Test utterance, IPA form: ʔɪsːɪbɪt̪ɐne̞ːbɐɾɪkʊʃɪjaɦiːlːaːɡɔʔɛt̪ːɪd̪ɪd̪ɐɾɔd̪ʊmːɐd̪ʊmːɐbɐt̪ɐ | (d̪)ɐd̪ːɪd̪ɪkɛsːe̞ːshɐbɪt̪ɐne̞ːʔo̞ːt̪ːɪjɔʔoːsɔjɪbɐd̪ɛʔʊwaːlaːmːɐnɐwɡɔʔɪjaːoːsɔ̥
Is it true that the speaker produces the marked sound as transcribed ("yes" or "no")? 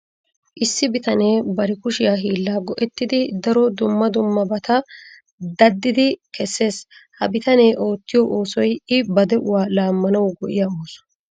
yes